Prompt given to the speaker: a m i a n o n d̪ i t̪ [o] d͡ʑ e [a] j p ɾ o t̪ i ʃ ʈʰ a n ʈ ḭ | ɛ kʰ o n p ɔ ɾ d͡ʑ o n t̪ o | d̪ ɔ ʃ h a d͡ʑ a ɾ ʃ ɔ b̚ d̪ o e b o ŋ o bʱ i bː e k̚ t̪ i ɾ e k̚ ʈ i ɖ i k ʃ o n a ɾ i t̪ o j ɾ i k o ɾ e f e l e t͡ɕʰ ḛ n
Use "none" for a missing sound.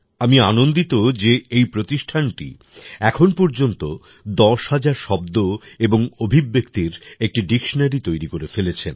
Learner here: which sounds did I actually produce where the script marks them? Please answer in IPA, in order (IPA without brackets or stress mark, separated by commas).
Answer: o, e